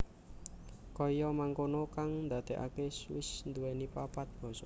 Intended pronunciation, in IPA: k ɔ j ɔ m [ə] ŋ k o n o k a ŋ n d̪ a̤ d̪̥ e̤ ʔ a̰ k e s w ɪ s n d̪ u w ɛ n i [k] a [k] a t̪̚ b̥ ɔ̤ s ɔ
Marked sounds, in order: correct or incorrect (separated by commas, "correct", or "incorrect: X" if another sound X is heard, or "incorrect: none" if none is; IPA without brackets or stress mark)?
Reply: incorrect: a, incorrect: p, incorrect: p